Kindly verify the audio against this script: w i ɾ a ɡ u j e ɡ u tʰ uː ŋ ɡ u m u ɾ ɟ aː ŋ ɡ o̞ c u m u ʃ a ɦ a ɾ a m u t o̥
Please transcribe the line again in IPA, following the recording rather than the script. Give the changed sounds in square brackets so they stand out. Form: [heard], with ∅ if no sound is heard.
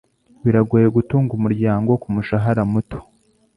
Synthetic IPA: w i ɾ a ɡ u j e ɡ u [t] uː ŋ ɡ u m u ɾ ɟ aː ŋ ɡ o̞ [k] u m u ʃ a ɦ a ɾ a m u t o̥